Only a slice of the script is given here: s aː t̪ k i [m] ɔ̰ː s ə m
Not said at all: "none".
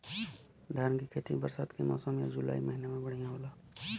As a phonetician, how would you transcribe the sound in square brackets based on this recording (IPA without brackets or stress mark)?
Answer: m